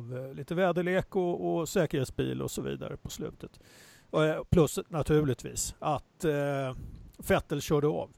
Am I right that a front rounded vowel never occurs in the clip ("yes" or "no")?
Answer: no